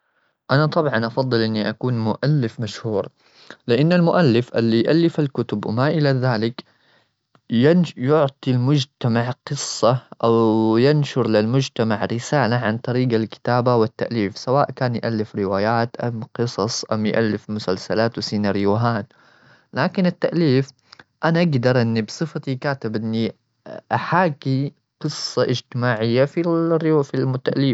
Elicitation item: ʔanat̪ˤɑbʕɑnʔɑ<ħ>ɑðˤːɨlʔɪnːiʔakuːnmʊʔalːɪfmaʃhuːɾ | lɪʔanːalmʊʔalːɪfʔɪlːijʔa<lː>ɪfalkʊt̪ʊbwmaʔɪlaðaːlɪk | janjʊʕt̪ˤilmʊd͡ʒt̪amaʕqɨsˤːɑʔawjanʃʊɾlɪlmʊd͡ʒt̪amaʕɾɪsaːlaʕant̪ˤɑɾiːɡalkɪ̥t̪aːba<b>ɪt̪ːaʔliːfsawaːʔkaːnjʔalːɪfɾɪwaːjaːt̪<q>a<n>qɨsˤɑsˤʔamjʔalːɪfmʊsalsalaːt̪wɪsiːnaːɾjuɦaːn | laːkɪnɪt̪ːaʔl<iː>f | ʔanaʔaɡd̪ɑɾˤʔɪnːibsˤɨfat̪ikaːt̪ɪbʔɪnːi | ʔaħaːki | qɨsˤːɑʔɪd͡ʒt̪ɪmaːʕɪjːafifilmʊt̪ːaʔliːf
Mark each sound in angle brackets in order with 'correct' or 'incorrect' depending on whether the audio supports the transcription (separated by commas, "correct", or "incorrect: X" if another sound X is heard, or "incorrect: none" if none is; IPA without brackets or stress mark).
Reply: incorrect: f, correct, incorrect: w, incorrect: ʔ, incorrect: m, correct